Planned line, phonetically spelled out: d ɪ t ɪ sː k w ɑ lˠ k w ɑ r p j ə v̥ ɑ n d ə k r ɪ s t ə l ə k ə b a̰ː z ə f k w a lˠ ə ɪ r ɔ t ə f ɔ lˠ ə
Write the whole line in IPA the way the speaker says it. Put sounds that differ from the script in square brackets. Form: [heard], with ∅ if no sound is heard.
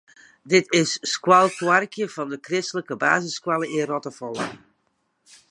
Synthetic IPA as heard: d ɪ t ɪ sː k w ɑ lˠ k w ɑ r [k] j ə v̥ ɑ n d ə k r ɪ s t ə l ə k ə b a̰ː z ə [s] k w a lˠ ə ɪ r ɔ t ə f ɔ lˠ ə